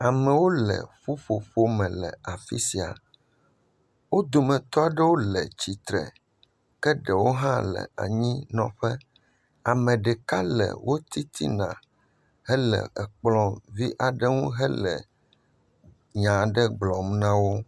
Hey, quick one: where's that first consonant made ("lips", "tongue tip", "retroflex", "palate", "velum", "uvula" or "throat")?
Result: lips